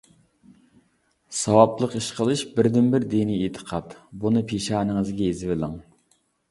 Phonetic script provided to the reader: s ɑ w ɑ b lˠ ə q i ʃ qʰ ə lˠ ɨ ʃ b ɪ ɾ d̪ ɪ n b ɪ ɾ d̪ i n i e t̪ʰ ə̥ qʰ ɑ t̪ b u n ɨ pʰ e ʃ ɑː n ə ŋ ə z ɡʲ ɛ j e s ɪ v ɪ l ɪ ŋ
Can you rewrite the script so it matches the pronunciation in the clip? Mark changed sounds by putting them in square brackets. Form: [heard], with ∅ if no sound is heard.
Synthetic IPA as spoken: s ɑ w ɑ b lˠ ə q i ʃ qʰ ə lˠ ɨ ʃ b ɪ ɾ d̪ ɪ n b ɪ ɾ d̪ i n i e t̪ʰ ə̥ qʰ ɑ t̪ b u n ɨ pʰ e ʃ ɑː n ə ŋ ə z ɡʲ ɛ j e [z] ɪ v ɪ l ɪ ŋ

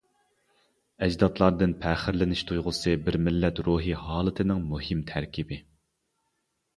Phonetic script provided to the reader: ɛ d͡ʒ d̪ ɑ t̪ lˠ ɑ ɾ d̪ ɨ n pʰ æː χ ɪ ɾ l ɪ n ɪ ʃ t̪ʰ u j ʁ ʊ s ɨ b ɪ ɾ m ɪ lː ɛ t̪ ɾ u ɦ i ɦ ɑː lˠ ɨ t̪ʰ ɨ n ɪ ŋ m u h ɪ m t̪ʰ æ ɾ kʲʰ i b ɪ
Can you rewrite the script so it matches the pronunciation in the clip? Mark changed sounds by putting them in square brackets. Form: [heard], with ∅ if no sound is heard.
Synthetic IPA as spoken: ɛ d͡ʒ d̪ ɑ t̪ lˠ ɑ ɾ d̪ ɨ n pʰ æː χ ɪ ɾ l ɪ n ɪ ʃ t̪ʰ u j ʁ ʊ s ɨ b ɪ ɾ m ɪ lː ɛ t̪ ɾ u ɦ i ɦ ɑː lˠ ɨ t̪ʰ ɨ n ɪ ŋ m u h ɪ m t̪ʰ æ ɾ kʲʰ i b ɪ

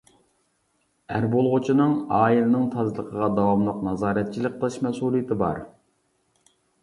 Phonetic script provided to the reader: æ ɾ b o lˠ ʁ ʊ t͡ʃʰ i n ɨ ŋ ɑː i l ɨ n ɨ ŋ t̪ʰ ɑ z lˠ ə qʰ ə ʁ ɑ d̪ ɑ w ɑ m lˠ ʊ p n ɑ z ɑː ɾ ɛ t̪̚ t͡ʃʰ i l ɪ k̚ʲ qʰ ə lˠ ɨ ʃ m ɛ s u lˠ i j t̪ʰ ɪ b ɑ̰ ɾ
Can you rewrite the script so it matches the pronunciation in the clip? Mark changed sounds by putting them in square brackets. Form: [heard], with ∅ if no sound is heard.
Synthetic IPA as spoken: æ ɾ b o lˠ ʁ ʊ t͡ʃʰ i n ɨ ŋ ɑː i l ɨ n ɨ ŋ t̪ʰ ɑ z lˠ ə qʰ ə ʁ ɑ d̪ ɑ w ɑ m lˠ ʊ [q] n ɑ z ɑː ɾ ɛ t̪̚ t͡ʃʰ i l ɪ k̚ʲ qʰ ə lˠ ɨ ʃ m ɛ s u lˠ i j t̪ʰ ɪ b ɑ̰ ɾ

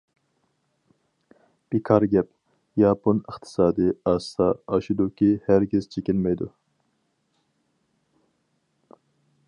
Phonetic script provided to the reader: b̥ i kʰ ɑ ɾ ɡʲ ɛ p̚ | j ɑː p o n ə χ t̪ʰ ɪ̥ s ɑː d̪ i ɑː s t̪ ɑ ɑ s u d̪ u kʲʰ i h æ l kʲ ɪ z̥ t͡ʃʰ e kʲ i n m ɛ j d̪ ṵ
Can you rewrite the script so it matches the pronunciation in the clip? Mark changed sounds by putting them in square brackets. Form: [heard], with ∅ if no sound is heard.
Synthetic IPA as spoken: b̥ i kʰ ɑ ɾ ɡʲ ɛ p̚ | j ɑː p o n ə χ t̪ʰ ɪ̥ s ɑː d̪ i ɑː s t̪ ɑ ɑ [ʃ] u d̪ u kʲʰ i h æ [ɾ] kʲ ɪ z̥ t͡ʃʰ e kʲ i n m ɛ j d̪ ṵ

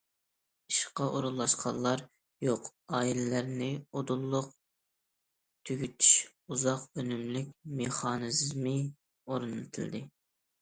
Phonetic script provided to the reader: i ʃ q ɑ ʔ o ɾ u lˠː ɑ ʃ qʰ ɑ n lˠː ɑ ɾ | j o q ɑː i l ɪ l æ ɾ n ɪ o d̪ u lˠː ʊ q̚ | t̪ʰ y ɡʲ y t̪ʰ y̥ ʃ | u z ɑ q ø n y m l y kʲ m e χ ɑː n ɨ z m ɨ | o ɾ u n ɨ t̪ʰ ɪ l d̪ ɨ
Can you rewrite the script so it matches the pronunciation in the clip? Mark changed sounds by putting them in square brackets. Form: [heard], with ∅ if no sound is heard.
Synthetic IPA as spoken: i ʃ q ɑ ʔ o ɾ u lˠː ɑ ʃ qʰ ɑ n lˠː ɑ ɾ | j o q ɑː i l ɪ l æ ɾ n ɪ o d̪ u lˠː ʊ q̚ | t̪ʰ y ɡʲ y t̪ʰ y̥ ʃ | u z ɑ q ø n y m l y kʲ m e χ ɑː n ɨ z m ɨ | o ɾ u n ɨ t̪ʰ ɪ l d̪ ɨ

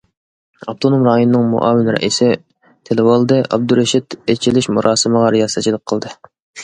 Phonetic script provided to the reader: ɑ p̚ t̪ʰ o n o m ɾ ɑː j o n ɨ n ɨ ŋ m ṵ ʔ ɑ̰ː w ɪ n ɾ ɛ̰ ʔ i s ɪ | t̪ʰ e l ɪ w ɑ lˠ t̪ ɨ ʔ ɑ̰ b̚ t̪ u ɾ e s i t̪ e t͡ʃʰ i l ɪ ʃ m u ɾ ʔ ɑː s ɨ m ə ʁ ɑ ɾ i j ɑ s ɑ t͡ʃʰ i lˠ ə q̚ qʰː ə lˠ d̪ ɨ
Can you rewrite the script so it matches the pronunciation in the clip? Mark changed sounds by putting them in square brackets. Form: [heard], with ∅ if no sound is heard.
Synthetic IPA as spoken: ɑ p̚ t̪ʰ o n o m ɾ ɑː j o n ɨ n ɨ ŋ m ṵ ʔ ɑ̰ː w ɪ n ɾ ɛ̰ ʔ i s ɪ | t̪ʰ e l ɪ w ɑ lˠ [d̪] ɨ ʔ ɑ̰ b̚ [d̪] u ɾ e [ʃ] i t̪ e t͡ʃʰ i l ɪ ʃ m u ɾ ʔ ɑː s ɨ m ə ʁ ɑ ɾ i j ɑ s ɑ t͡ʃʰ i lˠ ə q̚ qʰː ə lˠ d̪ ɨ

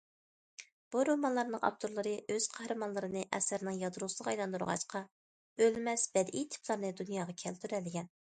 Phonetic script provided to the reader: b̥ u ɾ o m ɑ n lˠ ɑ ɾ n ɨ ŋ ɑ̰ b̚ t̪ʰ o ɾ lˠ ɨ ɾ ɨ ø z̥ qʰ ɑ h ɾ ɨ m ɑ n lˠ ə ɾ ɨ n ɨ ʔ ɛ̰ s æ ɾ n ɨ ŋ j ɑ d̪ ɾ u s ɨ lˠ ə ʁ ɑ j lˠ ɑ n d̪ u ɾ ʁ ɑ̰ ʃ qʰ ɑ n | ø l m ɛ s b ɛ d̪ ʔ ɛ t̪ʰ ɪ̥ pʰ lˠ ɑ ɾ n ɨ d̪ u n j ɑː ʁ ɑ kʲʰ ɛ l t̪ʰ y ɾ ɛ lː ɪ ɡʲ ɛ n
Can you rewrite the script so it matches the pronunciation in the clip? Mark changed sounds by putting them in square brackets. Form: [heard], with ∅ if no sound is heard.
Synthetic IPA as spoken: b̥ u ɾ o m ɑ n lˠ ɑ ɾ n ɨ ŋ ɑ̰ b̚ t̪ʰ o ɾ lˠ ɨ ɾ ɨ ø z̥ qʰ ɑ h ɾ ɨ m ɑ n lˠ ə ɾ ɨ n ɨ ʔ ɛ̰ s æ ɾ n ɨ ŋ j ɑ d̪ ɾ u s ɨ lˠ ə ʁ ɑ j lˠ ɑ n d̪ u ɾ ʁ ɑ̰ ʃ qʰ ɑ [∅] | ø l m ɛ s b ɛ d̪ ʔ [i] t̪ʰ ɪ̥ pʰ lˠ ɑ ɾ n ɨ d̪ u n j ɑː ʁ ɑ kʲʰ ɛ l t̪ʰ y ɾ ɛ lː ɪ ɡʲ ɛ n

